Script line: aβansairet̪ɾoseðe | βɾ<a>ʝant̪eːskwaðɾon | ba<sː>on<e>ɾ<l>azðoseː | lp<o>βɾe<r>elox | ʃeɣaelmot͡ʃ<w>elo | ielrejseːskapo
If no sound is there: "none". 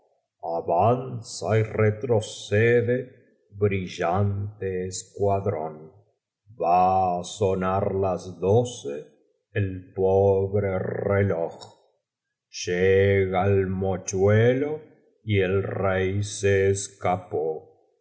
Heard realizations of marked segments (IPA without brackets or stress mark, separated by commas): i, s, a, l, o, r, w